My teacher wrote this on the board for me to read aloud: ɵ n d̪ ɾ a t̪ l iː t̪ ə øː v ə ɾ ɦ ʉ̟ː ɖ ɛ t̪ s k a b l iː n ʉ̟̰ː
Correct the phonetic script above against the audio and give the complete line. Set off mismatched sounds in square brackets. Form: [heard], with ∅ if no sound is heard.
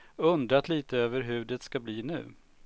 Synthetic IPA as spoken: ɵ n d̪ ɾ a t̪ l iː t̪ ə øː v ə ɾ ɦ ʉ̟ː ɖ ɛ t̪ s k a b l iː n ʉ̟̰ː